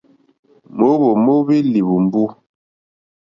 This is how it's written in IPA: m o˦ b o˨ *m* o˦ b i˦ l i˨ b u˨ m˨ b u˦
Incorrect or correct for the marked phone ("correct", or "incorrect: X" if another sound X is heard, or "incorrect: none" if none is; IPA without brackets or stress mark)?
correct